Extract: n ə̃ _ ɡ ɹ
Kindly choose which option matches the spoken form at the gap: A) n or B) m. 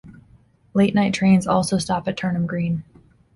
B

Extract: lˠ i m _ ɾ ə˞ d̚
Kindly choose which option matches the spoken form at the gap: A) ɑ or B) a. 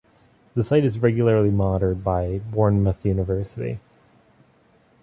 A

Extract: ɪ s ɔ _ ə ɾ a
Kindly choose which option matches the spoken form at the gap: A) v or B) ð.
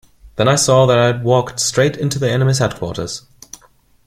B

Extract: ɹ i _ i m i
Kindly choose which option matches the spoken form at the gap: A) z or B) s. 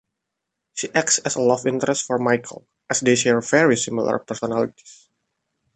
B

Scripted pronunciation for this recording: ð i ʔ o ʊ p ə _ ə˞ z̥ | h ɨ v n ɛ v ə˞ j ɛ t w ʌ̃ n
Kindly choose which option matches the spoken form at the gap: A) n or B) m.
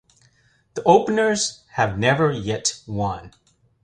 A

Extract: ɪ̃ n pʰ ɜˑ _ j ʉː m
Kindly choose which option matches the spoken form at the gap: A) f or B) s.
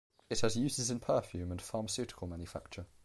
A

